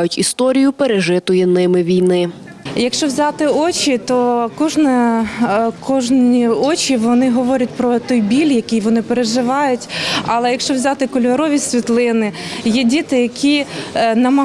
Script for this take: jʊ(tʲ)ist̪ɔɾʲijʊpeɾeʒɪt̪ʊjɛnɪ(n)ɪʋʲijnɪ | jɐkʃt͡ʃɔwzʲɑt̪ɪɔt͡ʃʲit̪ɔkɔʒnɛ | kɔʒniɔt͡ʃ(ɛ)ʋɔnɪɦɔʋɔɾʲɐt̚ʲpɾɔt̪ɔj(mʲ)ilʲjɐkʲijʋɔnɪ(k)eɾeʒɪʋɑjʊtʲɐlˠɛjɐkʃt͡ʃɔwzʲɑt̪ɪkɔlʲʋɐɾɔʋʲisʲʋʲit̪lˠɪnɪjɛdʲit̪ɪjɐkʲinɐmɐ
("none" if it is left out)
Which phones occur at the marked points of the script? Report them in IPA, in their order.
tʲ, m, i, bʲ, p

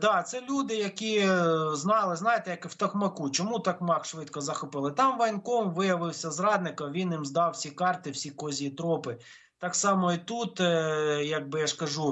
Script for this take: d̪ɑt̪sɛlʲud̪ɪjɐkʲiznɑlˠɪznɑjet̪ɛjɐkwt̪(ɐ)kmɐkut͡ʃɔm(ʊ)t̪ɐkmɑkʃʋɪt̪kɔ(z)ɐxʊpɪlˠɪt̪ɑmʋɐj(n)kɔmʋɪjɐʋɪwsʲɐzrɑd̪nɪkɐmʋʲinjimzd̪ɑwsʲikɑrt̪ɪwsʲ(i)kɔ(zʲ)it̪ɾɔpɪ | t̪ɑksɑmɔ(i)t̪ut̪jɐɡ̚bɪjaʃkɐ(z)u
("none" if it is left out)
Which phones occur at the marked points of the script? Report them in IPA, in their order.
ɐ, u, z, n, i, zʲ, i, ʒ

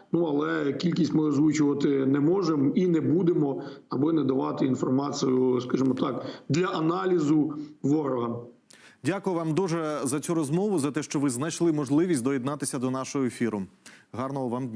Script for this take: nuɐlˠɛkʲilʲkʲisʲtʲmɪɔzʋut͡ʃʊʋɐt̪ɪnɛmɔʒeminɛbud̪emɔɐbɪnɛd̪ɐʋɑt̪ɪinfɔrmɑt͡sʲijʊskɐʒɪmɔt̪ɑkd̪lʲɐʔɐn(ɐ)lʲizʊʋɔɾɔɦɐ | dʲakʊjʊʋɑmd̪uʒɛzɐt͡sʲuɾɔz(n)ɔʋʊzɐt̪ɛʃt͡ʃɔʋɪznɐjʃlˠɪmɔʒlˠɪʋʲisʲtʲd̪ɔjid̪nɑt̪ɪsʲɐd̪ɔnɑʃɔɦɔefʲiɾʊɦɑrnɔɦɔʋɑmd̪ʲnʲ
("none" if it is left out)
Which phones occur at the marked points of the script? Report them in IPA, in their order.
ɑ, m

